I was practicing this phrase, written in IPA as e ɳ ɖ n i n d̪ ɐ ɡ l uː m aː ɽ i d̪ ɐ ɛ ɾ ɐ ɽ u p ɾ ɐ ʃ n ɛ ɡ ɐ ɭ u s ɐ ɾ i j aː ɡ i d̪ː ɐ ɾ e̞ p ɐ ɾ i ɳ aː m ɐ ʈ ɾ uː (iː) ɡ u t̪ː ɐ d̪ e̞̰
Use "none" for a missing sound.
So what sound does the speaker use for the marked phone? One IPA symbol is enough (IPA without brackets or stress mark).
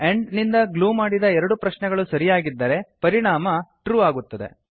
aː